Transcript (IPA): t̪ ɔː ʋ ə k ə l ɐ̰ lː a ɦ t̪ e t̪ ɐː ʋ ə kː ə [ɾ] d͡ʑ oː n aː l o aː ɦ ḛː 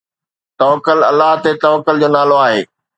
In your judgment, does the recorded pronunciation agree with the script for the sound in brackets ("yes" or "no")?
no